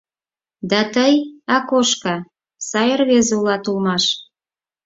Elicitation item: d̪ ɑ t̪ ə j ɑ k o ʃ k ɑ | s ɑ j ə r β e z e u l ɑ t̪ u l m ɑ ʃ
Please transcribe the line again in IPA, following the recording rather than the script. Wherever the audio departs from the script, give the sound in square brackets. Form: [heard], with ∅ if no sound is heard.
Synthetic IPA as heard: d̪ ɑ t̪ ə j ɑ k o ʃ k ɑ | s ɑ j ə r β e z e u l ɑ t̪ u l m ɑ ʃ